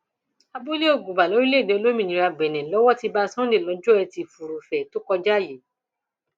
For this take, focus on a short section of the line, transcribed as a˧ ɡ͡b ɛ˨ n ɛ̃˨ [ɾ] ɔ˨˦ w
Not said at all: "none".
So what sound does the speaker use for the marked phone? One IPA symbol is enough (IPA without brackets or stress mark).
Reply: l